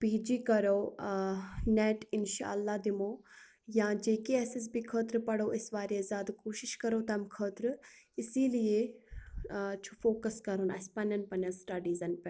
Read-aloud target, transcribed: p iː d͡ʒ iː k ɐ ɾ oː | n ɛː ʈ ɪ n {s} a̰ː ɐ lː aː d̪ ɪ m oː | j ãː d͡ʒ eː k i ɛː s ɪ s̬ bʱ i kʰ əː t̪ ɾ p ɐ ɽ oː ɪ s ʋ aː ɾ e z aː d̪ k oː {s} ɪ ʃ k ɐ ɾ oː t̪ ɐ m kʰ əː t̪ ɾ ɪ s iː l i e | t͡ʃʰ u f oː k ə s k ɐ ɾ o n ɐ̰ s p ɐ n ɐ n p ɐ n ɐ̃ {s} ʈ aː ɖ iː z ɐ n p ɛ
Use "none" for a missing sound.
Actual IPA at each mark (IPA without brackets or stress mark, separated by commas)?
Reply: ʃ, ʃ, s